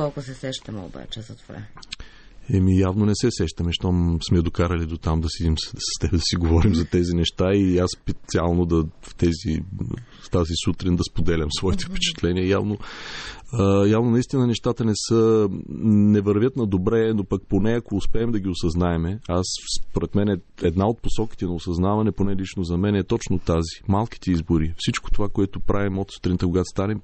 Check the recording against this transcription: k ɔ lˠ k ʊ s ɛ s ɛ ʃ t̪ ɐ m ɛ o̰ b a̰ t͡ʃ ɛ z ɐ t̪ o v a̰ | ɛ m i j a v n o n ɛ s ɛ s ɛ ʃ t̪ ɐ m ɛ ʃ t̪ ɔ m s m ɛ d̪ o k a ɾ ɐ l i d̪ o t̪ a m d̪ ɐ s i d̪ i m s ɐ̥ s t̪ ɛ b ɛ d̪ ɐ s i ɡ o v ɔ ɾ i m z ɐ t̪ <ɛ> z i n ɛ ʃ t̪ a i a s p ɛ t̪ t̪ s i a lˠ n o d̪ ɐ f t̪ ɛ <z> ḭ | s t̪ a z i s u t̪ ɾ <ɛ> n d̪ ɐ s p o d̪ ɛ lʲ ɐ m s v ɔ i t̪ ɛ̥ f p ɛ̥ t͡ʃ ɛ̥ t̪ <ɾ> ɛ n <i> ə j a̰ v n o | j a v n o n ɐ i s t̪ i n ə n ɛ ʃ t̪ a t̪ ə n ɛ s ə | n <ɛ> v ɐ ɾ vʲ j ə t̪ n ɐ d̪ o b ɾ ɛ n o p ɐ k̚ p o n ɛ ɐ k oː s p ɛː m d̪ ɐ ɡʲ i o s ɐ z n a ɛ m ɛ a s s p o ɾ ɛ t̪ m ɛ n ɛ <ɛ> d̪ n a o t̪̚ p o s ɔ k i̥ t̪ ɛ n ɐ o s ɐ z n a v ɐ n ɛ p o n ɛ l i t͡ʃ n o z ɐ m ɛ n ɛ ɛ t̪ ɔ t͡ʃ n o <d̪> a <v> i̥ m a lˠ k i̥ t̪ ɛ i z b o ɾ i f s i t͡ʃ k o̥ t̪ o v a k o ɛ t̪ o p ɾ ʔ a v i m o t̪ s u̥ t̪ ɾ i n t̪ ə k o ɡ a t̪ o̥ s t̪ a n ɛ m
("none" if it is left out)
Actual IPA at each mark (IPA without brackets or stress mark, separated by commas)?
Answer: ɛ, z, i, l, i, ɛ, ɛ, t̪, z